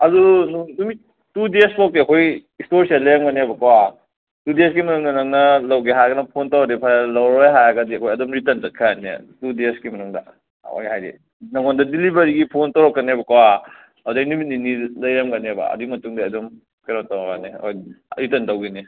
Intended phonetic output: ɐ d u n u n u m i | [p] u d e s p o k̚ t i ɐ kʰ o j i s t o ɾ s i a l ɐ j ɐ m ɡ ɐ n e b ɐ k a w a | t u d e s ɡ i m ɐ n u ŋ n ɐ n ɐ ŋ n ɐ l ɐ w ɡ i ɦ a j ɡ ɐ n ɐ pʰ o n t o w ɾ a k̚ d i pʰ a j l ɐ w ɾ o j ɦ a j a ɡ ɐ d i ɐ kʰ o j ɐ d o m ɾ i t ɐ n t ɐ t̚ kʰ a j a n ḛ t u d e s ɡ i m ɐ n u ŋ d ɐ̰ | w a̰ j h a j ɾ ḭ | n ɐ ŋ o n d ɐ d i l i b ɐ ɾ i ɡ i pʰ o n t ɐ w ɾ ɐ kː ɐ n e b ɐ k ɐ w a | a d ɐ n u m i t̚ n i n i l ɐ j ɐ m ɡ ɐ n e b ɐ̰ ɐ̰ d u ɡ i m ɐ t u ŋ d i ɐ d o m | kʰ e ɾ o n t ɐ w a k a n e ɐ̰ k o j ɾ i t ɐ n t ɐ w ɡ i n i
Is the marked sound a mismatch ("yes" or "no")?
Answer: yes